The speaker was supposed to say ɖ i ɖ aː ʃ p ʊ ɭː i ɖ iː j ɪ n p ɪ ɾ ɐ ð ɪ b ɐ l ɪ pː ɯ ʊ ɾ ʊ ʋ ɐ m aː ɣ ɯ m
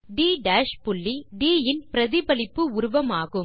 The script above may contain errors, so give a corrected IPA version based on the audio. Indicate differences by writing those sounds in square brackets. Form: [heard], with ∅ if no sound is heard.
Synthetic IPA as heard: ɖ [iː] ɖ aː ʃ p ʊ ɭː i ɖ iː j ɪ n p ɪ ɾ ɐ ð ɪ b ɐ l ɪ pː ɯ ʊ ɾ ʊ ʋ ɐ m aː ɣ ɯ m